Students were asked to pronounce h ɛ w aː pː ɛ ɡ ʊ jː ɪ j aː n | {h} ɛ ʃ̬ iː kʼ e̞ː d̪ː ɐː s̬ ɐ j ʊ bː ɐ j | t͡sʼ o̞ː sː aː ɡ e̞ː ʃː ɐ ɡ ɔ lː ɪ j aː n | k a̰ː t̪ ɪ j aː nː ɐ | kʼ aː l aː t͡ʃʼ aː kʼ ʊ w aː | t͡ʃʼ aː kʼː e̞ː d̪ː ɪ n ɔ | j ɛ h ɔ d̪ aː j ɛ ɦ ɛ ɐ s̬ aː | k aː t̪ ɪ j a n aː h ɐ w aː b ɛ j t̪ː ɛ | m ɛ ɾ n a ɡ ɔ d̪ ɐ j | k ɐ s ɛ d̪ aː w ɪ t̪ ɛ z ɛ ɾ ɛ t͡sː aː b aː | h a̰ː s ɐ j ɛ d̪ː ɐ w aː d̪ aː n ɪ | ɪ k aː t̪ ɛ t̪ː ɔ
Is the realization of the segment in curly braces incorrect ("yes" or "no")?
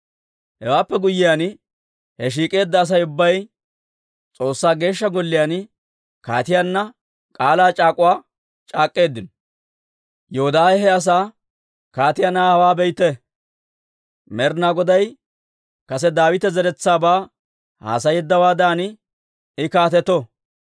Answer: no